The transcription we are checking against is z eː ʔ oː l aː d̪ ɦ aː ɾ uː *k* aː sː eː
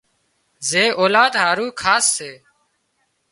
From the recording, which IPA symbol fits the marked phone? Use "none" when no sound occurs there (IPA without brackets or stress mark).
kʰ